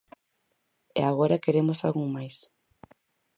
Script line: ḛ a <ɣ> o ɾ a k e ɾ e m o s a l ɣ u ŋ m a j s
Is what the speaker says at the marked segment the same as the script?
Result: yes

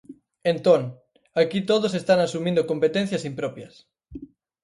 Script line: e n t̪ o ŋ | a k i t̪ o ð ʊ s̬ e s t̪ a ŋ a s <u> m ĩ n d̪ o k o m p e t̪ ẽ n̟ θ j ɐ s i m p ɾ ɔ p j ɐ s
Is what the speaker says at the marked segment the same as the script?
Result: yes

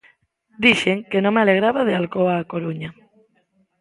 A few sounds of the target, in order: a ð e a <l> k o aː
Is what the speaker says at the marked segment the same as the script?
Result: yes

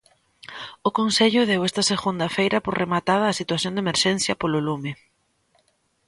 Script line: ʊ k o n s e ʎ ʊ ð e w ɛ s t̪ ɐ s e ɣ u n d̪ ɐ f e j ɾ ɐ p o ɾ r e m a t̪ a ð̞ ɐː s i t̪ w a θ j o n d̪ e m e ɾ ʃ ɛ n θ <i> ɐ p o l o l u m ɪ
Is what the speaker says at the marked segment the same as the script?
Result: no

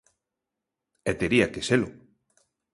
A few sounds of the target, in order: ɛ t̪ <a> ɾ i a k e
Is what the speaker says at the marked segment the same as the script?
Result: no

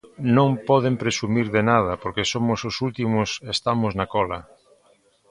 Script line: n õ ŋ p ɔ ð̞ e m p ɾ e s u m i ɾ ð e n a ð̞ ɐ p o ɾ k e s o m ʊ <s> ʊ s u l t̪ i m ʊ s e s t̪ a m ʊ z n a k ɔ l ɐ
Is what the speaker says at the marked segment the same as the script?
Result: yes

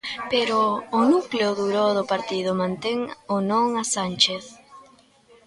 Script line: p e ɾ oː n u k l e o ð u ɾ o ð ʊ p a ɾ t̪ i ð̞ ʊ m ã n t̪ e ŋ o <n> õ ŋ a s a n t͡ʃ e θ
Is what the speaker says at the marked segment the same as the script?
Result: yes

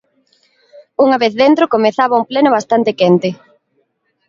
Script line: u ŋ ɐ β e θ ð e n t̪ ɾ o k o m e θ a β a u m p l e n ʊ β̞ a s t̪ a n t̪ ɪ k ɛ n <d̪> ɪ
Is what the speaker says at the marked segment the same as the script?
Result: no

